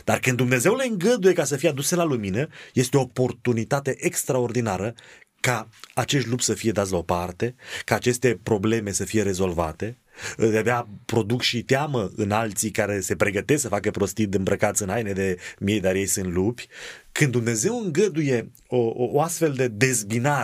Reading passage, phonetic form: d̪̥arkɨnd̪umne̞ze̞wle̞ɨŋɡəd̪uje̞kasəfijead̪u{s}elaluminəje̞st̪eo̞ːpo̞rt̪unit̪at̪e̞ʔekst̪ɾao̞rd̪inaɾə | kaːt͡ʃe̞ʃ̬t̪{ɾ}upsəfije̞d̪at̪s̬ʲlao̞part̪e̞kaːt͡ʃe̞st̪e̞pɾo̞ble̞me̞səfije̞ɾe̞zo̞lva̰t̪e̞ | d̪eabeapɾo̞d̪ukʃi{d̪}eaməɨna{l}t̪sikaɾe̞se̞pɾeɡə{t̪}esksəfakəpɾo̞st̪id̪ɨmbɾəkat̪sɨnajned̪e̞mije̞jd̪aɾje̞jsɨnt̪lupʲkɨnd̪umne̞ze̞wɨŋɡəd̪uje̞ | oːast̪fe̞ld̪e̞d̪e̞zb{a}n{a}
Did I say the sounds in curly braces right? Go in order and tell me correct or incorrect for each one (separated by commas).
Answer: correct, incorrect, incorrect, correct, correct, incorrect, correct